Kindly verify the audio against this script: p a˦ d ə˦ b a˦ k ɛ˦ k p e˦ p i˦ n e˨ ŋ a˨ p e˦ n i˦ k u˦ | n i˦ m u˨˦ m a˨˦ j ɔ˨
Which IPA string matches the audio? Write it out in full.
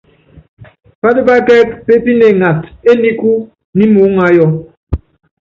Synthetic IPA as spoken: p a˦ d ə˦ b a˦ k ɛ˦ k p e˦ p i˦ n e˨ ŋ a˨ t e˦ n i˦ k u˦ | n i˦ m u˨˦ ŋ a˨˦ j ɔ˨